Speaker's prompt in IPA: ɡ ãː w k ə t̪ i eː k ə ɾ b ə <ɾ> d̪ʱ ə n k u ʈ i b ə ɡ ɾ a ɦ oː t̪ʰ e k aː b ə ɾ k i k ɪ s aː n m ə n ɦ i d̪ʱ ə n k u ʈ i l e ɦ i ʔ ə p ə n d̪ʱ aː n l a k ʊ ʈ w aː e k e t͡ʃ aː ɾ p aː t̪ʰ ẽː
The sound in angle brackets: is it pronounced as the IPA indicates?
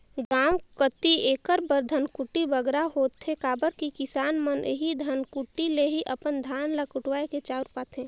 yes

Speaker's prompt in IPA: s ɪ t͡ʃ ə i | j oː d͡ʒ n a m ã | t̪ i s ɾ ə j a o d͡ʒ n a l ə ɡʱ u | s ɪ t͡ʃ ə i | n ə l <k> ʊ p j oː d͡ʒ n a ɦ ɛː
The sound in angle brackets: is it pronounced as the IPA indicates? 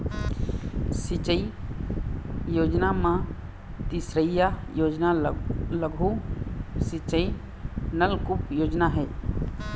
yes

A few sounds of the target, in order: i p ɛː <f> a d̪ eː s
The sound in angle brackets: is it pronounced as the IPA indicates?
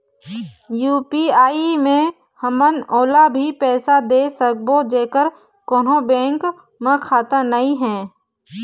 no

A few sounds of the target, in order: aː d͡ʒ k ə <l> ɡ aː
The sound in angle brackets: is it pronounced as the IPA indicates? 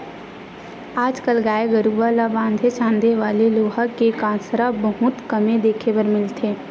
yes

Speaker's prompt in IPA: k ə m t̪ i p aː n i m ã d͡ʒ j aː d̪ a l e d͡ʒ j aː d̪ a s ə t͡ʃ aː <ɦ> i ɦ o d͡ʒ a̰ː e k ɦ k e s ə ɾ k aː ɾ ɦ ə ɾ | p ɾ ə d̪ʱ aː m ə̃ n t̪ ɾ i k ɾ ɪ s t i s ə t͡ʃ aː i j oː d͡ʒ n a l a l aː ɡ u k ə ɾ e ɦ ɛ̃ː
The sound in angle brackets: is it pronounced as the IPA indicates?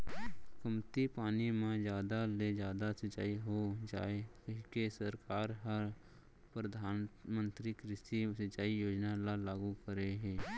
no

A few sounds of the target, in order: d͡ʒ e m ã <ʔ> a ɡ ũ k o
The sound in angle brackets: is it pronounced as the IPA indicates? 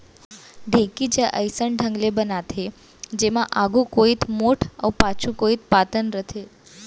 yes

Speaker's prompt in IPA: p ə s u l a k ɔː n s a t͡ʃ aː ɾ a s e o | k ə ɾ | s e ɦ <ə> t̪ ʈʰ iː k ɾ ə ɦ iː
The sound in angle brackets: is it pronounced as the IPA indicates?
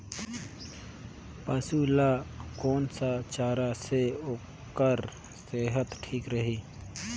yes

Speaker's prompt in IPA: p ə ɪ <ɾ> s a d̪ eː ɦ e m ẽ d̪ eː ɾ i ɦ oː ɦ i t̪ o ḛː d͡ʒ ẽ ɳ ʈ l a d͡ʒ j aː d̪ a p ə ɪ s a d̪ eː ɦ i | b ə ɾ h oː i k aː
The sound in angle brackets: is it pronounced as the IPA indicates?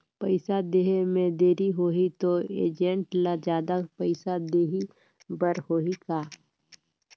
no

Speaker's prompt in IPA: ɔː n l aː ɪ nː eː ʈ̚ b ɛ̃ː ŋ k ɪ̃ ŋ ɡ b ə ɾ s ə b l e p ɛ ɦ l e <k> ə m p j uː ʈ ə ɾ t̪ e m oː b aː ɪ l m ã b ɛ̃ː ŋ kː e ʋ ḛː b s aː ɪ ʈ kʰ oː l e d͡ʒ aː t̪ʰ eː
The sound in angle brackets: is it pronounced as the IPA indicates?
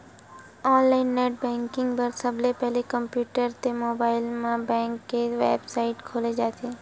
yes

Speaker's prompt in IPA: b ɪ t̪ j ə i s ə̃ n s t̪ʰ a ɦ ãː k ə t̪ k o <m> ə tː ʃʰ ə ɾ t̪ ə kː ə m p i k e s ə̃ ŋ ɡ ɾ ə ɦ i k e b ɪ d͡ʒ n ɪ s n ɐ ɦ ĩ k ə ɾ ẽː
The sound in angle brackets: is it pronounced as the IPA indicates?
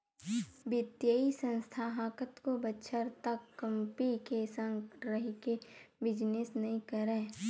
no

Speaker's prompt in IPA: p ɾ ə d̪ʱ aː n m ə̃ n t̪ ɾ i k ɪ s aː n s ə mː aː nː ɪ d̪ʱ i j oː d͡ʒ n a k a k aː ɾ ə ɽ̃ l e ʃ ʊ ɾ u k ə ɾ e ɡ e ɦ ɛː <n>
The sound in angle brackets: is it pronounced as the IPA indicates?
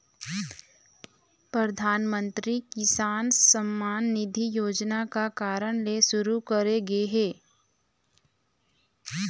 no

